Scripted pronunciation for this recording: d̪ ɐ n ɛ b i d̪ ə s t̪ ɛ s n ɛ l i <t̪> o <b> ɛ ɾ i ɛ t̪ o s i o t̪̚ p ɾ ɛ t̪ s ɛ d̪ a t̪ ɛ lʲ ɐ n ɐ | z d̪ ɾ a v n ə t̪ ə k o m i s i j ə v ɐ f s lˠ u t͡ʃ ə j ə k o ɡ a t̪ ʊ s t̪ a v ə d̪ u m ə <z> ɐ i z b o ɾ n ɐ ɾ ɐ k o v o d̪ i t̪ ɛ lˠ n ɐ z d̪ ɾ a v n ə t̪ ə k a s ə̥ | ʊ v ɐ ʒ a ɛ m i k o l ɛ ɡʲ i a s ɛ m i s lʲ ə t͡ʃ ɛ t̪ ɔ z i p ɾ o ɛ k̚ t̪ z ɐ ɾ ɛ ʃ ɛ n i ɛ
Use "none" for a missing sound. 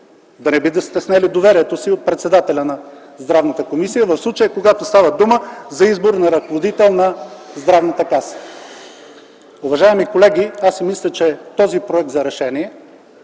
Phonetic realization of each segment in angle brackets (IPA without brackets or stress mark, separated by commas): d̪, v, z